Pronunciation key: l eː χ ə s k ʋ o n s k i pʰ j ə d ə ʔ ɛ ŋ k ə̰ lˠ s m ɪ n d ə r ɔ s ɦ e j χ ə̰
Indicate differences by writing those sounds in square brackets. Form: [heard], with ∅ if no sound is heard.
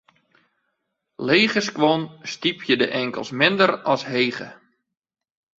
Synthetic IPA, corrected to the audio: l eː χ ə s k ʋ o n s [t] i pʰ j ə d ə ʔ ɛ ŋ k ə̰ lˠ s m ɪ n d ə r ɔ s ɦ e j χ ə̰